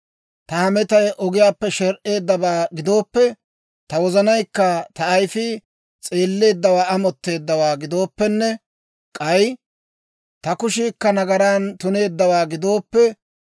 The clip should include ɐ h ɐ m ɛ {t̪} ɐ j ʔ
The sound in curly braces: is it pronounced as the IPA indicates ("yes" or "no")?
yes